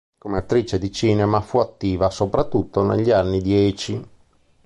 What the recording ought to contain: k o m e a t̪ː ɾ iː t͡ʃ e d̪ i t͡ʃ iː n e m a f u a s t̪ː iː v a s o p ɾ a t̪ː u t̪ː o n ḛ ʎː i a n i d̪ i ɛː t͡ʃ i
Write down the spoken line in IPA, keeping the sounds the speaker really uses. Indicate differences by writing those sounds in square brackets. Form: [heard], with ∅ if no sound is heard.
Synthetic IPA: k o m e a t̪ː ɾ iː t͡ʃ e d̪ i t͡ʃ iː n e m a f u a [∅] t̪ː iː v a s o p ɾ a t̪ː u t̪ː o n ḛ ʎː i a [nː] i d̪ [j] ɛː t͡ʃ i